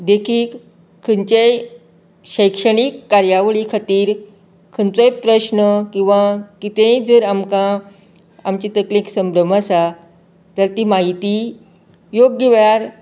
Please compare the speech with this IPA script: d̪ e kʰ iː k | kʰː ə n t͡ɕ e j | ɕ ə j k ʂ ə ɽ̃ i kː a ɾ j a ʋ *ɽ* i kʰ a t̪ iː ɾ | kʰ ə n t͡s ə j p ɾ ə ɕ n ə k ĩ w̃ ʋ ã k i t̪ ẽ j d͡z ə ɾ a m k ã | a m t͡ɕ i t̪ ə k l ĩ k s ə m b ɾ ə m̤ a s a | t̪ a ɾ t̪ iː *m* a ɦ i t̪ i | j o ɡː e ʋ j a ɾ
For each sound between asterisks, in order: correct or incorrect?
incorrect: ɭ, correct

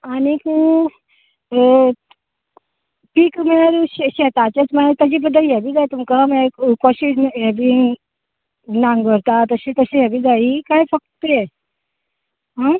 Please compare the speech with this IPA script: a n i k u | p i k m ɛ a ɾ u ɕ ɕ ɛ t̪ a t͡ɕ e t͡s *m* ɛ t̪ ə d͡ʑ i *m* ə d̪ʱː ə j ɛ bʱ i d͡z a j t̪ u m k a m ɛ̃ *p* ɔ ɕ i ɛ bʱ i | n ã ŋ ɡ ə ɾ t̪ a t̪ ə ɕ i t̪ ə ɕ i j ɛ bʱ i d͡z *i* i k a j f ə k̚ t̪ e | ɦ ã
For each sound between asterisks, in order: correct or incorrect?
correct, incorrect: b, incorrect: k, incorrect: a

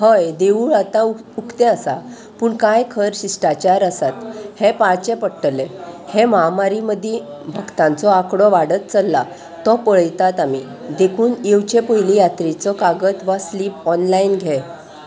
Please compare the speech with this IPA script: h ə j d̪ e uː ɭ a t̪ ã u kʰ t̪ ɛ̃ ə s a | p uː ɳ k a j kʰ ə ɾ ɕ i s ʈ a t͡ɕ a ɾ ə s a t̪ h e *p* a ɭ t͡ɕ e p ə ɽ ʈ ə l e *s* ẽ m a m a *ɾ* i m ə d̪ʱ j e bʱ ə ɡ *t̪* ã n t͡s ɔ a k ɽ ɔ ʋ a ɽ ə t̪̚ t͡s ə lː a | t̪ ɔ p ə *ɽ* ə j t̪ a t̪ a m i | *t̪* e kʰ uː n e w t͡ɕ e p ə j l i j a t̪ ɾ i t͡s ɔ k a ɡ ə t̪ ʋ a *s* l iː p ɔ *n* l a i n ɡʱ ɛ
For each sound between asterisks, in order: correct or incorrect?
correct, incorrect: h, correct, correct, incorrect: ɭ, incorrect: d̪, correct, correct

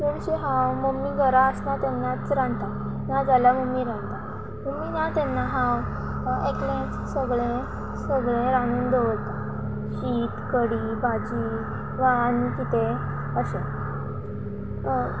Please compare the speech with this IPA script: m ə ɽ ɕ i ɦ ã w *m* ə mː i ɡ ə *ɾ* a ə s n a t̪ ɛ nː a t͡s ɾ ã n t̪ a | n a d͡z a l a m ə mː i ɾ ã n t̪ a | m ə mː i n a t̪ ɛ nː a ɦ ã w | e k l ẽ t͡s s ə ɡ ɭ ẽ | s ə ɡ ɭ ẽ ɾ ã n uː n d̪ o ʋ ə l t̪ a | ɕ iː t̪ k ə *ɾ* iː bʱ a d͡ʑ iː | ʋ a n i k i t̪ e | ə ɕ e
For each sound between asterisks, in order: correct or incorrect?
correct, correct, incorrect: ɽ

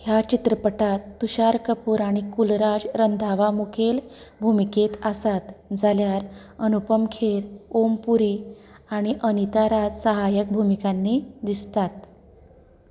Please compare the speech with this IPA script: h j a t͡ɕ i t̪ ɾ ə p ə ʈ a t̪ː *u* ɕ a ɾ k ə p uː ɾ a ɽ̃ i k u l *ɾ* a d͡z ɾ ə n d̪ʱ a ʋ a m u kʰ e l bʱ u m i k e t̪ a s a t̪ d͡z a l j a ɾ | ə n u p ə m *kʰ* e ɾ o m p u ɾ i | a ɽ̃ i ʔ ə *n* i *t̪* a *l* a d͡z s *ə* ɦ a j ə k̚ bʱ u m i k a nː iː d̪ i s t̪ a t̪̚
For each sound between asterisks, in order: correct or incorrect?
correct, correct, correct, correct, correct, incorrect: ɾ, correct

